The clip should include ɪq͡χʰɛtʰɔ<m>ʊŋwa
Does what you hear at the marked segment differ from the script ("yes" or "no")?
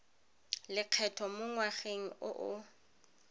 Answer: no